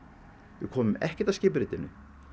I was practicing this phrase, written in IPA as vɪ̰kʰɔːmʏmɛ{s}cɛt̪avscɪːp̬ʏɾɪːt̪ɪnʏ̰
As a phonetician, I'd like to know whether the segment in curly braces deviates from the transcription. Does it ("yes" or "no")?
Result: yes